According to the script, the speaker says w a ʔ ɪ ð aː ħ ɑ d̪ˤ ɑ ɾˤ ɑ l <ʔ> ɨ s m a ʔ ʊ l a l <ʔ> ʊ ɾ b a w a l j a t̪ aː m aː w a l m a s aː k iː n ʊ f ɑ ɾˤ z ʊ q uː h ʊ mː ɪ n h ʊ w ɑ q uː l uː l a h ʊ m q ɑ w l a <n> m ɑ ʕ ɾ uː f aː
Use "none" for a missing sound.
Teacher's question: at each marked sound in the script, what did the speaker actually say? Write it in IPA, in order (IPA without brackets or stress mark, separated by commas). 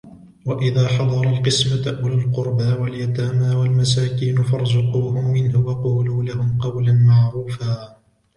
q, q, n